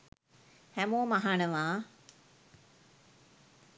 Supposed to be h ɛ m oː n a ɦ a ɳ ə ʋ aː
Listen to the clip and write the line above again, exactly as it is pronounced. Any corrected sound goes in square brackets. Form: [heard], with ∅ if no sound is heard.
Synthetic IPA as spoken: h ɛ m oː [m] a ɦ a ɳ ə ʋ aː